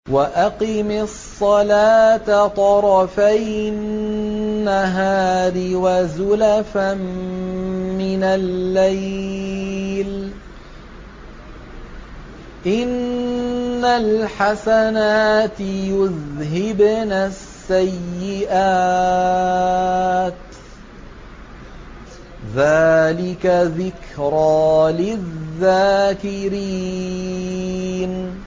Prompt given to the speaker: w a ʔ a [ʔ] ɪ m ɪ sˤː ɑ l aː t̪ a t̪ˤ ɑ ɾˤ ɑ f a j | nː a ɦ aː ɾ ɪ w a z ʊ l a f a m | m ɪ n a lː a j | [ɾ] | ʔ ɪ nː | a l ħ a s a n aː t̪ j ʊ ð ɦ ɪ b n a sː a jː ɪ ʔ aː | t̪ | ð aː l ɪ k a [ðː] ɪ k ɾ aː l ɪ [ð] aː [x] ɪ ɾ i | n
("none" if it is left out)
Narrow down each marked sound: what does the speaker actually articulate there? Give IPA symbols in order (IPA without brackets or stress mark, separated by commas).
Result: q, l, ð, ðː, k